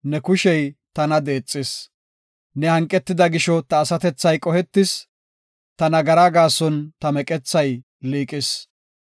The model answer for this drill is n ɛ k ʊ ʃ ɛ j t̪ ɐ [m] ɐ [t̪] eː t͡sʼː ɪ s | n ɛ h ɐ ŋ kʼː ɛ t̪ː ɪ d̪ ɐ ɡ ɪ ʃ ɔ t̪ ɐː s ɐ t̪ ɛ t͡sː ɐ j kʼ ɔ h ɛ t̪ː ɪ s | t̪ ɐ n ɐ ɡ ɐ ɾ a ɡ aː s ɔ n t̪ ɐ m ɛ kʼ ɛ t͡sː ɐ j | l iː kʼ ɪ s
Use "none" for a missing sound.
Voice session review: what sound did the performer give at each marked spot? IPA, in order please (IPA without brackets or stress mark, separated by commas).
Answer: n, d̪